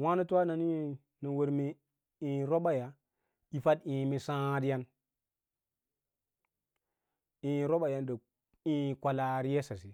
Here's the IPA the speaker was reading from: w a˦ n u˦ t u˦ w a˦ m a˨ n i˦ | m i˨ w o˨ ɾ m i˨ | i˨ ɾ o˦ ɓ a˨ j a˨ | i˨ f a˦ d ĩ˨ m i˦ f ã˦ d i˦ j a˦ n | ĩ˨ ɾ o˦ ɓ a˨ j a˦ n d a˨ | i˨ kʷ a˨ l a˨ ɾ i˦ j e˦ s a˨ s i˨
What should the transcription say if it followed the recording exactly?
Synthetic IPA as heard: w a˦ n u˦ t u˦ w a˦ n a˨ n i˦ | n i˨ w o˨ ɾ m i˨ | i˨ ɾ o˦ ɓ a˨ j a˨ | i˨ f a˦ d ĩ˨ m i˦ s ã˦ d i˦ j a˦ n | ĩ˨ ɾ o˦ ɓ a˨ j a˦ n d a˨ | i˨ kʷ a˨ l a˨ ɾ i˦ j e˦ s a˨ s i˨

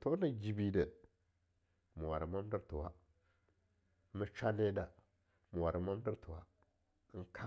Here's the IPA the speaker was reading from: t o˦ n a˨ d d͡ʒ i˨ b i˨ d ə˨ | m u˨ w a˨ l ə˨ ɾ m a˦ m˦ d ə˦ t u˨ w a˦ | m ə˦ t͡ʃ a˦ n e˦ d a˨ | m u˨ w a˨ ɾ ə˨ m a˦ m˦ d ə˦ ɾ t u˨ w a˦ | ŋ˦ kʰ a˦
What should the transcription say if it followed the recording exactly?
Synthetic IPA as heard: t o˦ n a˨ d͡ʒ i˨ b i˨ d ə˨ | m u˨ w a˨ ɾ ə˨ m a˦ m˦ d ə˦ t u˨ w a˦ | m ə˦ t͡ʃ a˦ n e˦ d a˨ | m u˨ w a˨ ɾ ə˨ m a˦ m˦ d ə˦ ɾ t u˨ w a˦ | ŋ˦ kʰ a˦

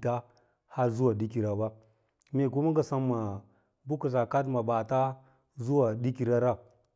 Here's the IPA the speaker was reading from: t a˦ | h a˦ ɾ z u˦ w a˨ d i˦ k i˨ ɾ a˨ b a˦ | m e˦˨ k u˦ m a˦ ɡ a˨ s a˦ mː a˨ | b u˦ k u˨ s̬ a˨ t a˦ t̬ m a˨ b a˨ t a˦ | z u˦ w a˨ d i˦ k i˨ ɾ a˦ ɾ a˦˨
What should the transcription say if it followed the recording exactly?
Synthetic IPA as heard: t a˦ | h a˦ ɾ z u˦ w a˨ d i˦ k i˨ ɾ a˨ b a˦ | m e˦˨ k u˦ m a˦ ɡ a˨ s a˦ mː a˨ | b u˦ k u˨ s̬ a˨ k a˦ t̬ m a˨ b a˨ t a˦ | z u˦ w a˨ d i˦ k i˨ ɾ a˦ ɾ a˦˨

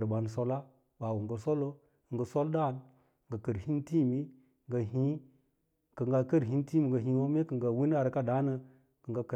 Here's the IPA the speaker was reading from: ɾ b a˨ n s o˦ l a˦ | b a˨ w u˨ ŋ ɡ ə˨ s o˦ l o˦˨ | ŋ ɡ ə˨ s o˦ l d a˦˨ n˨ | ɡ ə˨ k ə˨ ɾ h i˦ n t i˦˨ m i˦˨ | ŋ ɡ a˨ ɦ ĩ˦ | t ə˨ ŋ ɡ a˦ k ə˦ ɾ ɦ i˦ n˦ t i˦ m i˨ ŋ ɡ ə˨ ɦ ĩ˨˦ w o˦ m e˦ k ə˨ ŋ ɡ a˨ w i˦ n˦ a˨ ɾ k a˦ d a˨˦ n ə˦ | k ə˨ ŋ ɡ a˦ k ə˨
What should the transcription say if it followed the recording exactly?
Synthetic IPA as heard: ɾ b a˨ n s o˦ l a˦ | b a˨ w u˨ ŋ ɡ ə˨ s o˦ l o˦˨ | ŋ ɡ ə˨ s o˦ l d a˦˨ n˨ | ɡ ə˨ k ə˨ ɾ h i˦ n t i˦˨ m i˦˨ | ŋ ɡ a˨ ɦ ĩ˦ | k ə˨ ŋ ɡ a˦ k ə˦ ɾ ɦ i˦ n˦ t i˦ m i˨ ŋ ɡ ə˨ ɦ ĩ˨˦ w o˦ m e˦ k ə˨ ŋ ɡ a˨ w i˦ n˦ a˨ ɾ k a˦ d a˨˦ n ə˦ | k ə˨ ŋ ɡ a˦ k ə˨

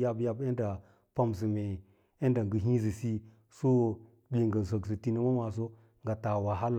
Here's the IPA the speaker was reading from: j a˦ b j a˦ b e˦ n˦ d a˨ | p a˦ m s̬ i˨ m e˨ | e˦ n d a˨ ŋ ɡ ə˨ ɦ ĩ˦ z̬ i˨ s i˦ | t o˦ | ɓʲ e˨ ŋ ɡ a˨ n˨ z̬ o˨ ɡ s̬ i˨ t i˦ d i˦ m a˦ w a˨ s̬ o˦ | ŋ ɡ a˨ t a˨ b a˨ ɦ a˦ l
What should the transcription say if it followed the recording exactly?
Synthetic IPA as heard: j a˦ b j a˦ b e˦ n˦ d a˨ | p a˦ m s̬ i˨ m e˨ | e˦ n d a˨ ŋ ɡ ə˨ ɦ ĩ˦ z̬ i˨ s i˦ | s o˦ | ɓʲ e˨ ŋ ɡ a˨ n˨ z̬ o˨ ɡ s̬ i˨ t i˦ n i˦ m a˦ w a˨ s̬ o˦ | ŋ ɡ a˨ t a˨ w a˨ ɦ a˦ l

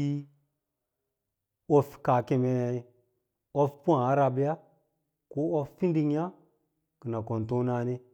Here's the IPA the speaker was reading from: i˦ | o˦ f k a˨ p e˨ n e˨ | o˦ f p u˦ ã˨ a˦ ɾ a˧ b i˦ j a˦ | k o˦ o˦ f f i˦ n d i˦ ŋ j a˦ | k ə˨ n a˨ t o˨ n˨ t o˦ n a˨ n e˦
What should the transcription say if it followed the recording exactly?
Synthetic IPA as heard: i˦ | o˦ f k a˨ k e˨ m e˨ | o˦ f p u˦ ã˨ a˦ ɾ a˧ b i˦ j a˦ | k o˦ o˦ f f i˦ n d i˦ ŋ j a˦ | k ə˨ n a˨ k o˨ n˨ t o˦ n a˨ n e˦

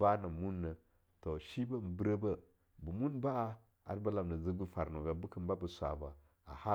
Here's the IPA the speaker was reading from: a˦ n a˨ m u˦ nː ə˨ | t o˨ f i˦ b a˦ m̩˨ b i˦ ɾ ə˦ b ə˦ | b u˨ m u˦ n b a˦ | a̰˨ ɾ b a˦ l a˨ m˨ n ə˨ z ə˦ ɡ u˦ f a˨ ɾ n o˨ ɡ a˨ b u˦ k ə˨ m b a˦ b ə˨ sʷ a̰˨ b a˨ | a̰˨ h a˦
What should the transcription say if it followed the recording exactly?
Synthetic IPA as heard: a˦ n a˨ m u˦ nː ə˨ | t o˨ ʃ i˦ b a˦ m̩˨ b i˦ ɾ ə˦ b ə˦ | b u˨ m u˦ n b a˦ | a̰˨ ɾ b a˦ l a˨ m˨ n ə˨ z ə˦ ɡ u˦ f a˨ ɾ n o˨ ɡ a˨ b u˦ k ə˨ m b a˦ b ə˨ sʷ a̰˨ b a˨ | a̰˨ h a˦

